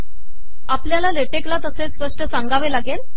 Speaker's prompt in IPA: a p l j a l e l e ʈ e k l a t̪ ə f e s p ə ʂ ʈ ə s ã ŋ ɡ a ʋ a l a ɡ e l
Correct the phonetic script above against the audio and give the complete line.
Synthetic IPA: a p l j a l a l e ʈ e k l a t̪ ə s e s p ə ʂ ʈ ə s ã ŋ ɡ a ʋ e l a ɡ e l

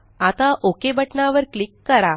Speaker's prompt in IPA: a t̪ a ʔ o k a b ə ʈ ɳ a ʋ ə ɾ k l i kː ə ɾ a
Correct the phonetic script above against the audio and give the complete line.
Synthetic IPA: a t̪ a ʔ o k e b ə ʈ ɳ a ʋ ə ɾ k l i kː ə ɾ a

